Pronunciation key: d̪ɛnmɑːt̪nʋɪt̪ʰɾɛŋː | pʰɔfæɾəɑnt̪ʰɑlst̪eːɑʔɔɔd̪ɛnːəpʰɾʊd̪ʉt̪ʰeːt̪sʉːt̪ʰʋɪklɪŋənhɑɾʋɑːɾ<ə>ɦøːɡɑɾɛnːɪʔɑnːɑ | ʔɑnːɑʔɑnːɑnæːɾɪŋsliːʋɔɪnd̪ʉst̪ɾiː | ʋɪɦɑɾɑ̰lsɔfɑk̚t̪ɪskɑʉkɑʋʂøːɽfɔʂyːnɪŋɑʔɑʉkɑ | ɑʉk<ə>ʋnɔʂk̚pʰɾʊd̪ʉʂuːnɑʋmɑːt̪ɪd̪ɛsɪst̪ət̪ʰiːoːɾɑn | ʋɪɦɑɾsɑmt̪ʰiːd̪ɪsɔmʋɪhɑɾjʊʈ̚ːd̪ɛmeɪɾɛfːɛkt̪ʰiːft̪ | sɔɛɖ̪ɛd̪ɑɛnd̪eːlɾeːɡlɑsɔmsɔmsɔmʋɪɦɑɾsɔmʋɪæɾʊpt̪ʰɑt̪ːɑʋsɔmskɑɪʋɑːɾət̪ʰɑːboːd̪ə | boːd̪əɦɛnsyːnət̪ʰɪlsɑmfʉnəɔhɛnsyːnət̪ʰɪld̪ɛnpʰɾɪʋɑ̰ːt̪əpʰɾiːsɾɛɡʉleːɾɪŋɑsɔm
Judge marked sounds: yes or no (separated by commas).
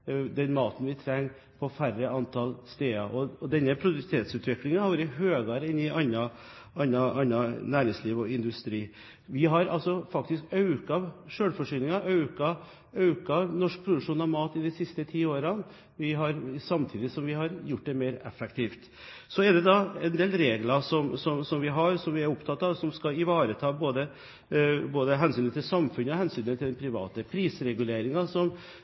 yes, no